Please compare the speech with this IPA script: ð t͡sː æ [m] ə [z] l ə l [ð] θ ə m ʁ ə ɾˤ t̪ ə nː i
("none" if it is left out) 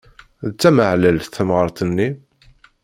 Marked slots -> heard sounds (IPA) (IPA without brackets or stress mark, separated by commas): m, ʕ, θ